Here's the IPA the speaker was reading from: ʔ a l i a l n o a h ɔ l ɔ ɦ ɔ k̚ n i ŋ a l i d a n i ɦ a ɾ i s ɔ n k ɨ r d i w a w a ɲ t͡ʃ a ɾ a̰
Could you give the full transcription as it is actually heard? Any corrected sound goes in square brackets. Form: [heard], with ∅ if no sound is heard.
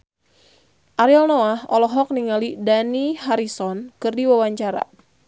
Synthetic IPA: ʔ a [ɾ] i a l n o a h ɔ l ɔ ɦ ɔ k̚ n i ŋ a l i d a n i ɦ a ɾ i s ɔ n k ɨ r d i w a w a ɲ t͡ʃ a ɾ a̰